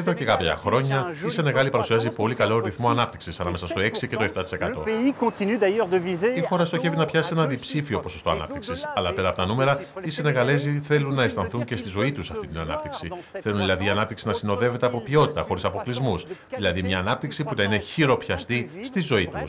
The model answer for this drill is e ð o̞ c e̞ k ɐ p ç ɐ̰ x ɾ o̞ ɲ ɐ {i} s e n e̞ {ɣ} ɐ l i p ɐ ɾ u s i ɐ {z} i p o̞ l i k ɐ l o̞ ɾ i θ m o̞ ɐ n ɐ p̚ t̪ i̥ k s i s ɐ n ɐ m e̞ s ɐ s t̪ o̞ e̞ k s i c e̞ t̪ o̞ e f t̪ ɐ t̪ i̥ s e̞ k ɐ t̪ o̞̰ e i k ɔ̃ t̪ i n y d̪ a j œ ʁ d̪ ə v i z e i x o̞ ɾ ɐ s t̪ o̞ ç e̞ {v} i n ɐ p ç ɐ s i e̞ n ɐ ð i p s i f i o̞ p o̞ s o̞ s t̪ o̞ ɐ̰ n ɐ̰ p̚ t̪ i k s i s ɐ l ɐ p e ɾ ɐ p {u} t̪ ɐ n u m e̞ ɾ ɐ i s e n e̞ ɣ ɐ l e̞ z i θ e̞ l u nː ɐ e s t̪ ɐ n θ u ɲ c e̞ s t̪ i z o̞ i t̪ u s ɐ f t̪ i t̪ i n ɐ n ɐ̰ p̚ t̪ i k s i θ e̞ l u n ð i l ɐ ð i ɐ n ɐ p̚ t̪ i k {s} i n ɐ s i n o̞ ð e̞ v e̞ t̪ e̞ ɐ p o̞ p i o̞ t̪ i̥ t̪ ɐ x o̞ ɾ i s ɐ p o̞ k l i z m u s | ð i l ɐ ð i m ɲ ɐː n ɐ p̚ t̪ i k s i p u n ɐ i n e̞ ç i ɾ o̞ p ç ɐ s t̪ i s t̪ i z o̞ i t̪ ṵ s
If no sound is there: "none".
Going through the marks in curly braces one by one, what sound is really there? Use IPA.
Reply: i, ɣ, z, v, o, s

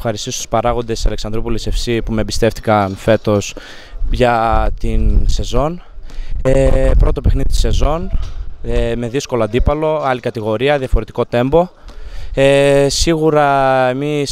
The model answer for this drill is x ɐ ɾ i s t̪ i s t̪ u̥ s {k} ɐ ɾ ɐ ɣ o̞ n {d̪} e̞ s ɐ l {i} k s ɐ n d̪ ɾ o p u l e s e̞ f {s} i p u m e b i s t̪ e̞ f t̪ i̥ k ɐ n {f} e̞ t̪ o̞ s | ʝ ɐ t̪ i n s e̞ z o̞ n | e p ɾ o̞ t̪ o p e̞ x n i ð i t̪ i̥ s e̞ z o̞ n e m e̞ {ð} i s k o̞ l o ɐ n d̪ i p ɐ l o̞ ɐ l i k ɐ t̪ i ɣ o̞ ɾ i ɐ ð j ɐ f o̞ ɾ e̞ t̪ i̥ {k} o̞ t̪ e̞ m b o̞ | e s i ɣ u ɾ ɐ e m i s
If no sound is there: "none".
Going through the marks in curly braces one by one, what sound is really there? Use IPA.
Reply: p, d̪, e, s, f, ð, k

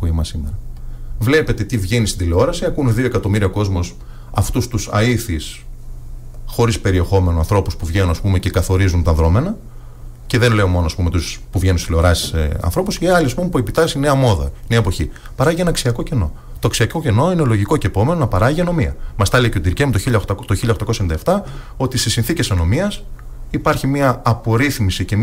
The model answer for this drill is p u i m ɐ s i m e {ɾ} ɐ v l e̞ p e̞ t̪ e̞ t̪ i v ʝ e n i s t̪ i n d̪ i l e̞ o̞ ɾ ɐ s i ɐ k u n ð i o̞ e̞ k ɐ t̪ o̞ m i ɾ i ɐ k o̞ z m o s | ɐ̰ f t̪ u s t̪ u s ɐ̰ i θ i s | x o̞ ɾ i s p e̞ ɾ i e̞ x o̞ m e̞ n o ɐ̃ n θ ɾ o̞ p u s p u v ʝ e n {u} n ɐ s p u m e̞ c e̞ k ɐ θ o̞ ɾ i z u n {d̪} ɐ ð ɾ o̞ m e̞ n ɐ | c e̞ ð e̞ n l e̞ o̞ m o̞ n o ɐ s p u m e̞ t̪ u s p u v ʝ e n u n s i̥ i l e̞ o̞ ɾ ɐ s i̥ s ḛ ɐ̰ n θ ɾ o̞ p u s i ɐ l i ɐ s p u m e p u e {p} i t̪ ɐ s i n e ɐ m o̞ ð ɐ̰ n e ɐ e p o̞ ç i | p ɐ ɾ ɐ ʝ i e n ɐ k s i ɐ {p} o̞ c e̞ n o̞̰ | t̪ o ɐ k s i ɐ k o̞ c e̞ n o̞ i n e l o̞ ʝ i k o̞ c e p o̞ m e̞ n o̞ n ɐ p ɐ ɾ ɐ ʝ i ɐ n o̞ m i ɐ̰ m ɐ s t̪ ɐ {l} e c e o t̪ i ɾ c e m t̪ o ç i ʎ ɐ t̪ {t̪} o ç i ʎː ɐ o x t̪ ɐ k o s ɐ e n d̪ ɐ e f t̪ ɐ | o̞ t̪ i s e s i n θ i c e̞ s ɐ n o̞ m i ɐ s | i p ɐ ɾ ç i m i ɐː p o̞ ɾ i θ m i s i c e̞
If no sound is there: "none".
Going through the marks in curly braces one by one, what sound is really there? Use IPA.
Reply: ɾ, u, t̪, p, k, l, t̪

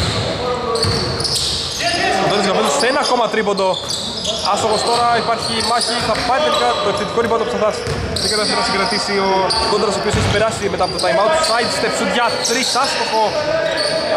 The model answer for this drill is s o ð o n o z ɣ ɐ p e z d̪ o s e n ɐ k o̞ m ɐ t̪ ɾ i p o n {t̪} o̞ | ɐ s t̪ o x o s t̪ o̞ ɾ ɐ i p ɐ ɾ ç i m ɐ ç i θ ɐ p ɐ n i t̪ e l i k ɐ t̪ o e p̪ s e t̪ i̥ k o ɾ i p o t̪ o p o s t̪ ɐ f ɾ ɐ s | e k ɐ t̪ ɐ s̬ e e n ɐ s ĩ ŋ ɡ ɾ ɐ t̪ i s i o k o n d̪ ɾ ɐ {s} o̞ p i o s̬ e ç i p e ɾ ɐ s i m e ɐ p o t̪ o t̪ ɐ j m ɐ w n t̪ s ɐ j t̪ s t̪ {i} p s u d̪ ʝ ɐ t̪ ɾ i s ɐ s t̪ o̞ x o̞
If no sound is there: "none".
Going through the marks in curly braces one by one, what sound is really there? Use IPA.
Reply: d̪, s, e

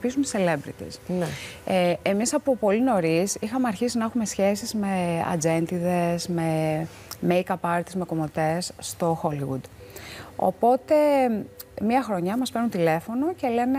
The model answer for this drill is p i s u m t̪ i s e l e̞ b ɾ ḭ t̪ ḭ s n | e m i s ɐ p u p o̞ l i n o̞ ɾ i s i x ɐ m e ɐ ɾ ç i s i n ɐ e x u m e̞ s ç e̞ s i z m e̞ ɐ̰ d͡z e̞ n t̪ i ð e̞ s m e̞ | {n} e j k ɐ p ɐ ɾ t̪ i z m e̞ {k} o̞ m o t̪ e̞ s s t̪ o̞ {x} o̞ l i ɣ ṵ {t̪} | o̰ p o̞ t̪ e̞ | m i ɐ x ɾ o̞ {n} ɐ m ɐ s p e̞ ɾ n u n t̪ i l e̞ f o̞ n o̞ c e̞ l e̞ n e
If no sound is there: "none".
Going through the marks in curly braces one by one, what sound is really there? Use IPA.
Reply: m, k, x, d̪, ɲ

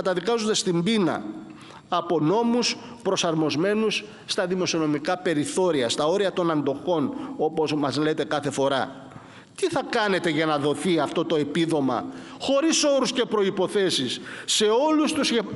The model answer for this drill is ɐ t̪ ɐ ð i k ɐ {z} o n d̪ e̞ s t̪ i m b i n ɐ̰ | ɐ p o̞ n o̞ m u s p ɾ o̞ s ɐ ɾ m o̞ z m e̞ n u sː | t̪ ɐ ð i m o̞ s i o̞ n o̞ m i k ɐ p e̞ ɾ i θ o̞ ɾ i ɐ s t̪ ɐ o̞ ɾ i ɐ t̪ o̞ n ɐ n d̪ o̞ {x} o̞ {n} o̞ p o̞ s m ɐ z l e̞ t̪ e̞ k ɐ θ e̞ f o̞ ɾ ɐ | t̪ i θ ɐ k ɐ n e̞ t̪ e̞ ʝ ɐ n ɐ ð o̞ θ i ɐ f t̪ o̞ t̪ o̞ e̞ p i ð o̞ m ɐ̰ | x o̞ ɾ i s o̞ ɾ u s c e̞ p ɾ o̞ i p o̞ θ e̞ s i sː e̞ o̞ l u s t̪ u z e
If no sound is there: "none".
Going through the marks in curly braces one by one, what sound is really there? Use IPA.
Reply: z, x, n

